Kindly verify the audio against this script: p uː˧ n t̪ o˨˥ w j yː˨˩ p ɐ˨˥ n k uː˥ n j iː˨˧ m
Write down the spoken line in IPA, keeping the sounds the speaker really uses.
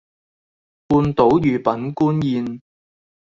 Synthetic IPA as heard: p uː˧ n t̪ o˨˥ w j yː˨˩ p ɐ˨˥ n k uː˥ n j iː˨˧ n